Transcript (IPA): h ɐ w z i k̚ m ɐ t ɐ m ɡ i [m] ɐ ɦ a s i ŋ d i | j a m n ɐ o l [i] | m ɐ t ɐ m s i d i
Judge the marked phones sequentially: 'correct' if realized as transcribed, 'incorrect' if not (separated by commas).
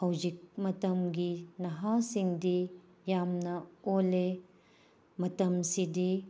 incorrect, incorrect